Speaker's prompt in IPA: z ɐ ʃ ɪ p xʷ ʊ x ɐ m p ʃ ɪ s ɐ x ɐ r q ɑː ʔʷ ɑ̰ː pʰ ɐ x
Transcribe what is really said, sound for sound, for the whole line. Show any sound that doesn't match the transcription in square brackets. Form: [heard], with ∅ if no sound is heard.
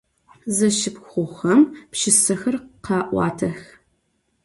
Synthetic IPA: z ɐ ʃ ɪ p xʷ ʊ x ɐ m p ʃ ɪ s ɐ x ɐ r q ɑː ʔʷ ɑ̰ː [tʰ] ɐ x